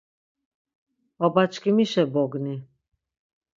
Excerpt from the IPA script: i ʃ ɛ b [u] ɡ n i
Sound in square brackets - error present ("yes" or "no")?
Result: yes